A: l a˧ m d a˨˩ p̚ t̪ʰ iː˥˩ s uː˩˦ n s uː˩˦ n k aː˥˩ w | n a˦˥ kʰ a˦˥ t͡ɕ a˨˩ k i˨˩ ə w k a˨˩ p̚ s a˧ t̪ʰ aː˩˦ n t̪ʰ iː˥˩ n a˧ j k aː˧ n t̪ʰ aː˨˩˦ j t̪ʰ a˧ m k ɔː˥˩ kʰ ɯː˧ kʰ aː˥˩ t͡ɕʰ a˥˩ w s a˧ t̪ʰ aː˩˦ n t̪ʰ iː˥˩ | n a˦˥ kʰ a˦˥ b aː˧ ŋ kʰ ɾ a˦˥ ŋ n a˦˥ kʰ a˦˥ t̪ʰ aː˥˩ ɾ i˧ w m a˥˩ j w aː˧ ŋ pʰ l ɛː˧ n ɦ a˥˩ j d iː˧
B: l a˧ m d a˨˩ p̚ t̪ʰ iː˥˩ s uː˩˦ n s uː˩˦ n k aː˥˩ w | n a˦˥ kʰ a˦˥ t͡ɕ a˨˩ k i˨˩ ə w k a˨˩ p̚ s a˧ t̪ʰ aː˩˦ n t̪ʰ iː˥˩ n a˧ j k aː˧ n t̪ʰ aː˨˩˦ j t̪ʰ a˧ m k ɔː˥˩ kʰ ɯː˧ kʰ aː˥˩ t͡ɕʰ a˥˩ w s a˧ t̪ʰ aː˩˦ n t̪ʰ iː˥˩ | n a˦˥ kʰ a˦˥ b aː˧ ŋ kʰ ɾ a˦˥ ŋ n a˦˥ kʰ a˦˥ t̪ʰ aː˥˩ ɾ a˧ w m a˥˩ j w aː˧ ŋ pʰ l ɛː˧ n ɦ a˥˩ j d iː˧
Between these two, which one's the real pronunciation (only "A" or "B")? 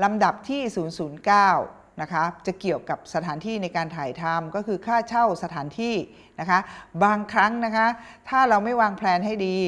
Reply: B